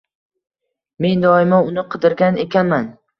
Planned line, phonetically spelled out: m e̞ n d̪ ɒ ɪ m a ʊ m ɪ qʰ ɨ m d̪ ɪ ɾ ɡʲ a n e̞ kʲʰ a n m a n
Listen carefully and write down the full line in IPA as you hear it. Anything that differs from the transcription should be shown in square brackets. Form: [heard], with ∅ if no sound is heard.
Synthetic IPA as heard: m e̞ n d̪ ɒ ɪ m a ʊ [n] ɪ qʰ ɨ [∅] d̪ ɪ ɾ ɡʲ a n e̞ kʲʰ a n m a n